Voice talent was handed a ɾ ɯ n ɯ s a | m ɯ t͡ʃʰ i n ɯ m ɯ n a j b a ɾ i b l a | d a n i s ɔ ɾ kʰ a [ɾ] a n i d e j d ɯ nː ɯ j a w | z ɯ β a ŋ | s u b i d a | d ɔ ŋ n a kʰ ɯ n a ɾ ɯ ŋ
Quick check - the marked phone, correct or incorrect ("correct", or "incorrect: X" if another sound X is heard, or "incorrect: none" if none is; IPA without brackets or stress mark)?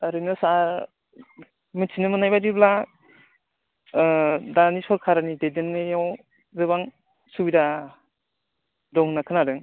correct